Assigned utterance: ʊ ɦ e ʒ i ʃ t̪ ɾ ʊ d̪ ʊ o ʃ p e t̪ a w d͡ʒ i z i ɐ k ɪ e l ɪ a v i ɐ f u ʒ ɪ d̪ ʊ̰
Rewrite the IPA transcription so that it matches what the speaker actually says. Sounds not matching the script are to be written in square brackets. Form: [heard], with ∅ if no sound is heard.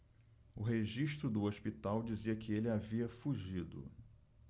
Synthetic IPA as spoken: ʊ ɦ e ʒ i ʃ t̪ ɾ ʊ d̪ ʊ o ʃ p [i] t̪ a w d͡ʒ i z i ɐ k ɪ e l ɪ a v i ɐ f u ʒ [i] d̪ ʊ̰